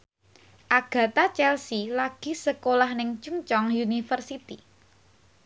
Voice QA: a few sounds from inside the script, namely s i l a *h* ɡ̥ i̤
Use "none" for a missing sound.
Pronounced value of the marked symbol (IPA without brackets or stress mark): none